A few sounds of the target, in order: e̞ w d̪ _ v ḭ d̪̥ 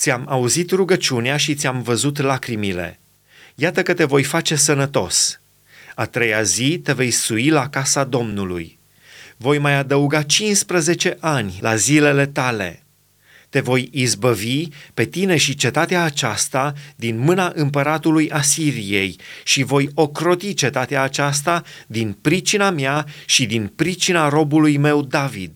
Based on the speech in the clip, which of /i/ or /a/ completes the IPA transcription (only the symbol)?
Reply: a